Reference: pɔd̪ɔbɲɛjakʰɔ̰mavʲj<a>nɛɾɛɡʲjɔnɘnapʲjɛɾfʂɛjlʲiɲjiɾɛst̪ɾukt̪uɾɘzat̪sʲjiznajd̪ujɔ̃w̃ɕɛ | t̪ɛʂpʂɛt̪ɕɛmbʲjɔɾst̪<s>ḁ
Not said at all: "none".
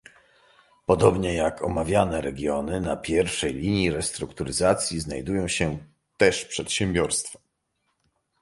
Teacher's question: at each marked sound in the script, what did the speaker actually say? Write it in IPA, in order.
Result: a, f

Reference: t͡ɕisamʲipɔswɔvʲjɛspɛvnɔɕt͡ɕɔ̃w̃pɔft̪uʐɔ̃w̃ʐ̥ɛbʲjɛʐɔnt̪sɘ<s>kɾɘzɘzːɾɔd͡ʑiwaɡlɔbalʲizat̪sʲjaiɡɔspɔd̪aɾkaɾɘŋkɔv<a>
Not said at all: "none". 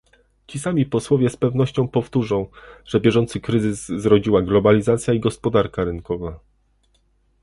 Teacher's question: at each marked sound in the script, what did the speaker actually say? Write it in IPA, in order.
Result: none, a

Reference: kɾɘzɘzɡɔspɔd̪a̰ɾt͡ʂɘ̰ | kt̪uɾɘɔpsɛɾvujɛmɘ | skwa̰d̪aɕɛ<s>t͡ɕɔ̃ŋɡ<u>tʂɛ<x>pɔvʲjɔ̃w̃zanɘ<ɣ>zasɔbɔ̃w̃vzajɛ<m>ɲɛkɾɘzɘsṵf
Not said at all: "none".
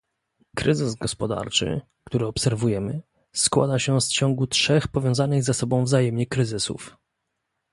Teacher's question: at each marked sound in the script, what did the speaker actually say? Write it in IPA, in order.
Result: s, u, x, ɣ, m

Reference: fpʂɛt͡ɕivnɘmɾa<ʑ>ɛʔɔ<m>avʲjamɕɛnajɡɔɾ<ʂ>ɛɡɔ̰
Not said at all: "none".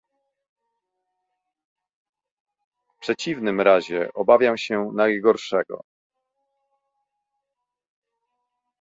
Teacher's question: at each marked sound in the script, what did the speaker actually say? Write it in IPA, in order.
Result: ʑ, b, ʂ

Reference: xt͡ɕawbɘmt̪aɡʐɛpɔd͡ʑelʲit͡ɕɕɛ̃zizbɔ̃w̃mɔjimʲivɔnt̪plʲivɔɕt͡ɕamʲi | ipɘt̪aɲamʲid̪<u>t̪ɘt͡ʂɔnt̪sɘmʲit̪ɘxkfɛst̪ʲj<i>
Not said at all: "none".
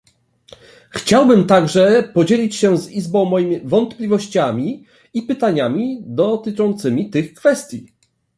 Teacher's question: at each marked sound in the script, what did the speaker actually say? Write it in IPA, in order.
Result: ɔ, i

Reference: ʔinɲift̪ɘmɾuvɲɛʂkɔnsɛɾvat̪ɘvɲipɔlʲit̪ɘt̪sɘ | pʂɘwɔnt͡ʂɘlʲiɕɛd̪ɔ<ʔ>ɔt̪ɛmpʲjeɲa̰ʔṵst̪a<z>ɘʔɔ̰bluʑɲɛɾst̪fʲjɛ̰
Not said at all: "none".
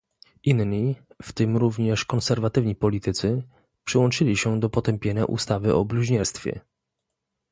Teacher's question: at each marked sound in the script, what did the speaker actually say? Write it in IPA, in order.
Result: p, v

